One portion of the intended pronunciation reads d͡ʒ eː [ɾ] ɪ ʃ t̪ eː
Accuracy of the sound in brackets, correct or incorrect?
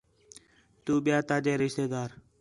correct